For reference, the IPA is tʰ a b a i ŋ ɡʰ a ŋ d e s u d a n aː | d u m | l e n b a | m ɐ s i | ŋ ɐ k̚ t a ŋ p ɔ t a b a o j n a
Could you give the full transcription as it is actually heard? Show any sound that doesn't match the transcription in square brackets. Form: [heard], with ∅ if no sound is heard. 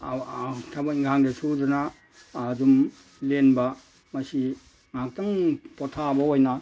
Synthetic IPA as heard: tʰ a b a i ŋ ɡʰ a ŋ d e s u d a n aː | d u m | l e n b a | m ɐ s i | ŋ [a] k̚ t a ŋ p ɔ [tʰ] a b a o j n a